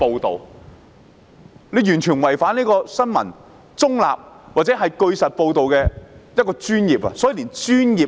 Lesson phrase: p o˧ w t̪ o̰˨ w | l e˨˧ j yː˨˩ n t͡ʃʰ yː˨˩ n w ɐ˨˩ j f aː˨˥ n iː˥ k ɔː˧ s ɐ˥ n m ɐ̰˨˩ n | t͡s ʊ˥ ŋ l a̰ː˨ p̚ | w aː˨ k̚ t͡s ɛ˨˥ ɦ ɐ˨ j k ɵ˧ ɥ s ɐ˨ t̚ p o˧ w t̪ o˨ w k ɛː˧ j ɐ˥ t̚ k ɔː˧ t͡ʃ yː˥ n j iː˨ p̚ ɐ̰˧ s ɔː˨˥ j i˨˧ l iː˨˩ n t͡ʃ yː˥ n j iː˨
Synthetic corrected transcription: p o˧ w t̪ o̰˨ w | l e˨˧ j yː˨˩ n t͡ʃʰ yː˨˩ n w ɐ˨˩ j f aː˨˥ n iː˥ k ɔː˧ s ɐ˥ n m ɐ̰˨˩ n | t͡s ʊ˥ ŋ l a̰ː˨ p̚ | w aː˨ t̚ t͡s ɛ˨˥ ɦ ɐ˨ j k ɵ˧ ɥ s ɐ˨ t̚ p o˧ w t̪ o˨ w k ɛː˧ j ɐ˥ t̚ k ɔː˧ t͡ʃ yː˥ n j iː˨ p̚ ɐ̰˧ s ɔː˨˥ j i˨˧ l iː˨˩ n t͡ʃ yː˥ n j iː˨